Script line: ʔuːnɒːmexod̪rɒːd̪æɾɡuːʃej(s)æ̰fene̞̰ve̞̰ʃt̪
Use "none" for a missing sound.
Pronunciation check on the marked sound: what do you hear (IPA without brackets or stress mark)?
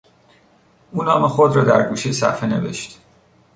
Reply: s